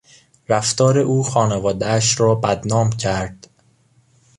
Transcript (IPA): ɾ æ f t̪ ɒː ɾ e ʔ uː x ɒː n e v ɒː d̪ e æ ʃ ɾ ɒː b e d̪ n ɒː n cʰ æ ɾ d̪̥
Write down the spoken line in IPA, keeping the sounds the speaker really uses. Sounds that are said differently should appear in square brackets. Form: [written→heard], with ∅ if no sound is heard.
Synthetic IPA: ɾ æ f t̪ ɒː ɾ e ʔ uː x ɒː n e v ɒː d̪ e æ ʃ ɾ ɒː b [e→æ] d̪ n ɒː [n→m] cʰ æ ɾ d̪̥